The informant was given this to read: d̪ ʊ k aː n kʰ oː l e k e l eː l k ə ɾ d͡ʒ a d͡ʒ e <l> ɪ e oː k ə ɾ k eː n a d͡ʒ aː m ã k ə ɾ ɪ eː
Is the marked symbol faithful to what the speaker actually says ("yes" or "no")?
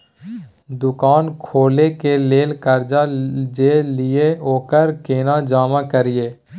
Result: yes